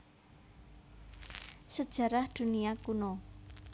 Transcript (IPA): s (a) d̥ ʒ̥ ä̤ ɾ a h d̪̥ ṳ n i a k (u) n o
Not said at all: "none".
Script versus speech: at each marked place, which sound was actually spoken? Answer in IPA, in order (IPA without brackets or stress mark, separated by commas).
ə, u